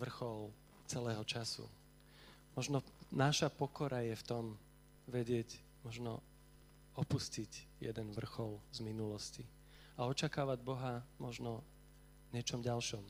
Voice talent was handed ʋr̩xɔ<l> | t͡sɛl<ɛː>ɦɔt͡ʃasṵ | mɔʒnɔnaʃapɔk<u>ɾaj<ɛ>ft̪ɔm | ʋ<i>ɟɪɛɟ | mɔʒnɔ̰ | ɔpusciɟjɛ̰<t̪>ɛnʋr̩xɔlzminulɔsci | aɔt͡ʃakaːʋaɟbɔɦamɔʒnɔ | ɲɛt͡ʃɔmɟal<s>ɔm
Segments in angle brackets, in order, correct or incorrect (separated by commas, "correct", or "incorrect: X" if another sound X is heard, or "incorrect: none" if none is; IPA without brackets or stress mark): correct, correct, incorrect: ɔ, correct, incorrect: ɛ, incorrect: d̪, incorrect: ʃ